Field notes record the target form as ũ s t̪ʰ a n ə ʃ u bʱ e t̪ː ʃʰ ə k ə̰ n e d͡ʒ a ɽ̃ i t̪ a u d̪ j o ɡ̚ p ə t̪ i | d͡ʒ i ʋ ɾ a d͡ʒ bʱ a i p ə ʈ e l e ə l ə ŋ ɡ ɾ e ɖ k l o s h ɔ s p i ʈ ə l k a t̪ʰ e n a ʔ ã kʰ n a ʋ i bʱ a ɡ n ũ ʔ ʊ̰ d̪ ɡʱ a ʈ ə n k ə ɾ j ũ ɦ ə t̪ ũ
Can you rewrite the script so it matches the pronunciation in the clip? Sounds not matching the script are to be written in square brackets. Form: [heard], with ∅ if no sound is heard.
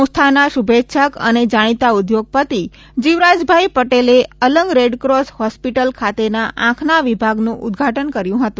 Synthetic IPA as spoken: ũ s t̪ʰ a n [a] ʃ u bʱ e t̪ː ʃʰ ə k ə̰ n e d͡ʒ a ɽ̃ i t̪ a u d̪ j o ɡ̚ p ə t̪ i | d͡ʒ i ʋ ɾ a d͡ʒ bʱ a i p ə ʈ e l e ə l ə ŋ ɡ ɾ e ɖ k [ɾ] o s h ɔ s p i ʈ ə l [kʰ] a [t̪] e n a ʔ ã kʰ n a ʋ i bʱ a ɡ n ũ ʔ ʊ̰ d̪ ɡʱ a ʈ ə n k ə ɾ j ũ ɦ ə t̪ ũ